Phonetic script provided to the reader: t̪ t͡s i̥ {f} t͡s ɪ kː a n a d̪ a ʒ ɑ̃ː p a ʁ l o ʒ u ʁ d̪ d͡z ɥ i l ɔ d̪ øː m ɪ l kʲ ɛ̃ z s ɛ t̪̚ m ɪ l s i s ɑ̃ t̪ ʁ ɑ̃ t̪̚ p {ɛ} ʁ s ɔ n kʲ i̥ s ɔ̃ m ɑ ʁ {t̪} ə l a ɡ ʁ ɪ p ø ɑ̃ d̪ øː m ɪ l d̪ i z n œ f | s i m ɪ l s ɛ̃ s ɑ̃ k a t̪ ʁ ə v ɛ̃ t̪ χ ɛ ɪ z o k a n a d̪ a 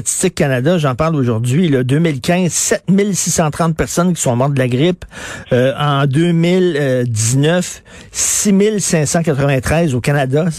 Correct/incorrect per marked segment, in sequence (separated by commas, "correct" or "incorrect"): incorrect, correct, incorrect